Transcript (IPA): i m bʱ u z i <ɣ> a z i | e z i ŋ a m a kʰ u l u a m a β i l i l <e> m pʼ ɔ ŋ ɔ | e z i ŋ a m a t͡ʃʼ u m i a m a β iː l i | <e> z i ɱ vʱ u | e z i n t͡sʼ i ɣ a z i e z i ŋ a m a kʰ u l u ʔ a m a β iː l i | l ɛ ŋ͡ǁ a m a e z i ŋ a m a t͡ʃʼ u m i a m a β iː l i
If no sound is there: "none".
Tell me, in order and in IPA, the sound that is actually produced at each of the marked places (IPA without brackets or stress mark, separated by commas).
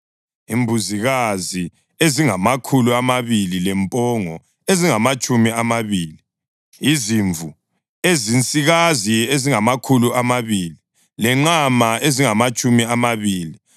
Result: ɣ, ɛ, i